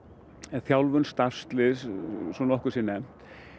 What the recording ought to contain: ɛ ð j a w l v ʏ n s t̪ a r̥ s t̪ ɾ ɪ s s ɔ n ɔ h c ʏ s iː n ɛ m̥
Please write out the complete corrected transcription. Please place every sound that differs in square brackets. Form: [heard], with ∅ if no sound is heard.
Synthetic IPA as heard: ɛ [θ] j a w l v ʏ n s t̪ a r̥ s t̪ [l] ɪ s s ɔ n ɔ h [k] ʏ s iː n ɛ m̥